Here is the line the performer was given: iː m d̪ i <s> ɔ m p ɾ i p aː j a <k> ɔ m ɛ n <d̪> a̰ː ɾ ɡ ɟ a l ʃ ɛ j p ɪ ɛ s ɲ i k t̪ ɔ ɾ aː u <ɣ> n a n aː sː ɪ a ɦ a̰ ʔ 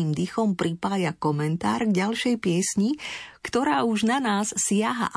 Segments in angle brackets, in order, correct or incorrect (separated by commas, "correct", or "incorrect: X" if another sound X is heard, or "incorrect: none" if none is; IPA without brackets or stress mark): incorrect: x, correct, incorrect: t̪, incorrect: ʒ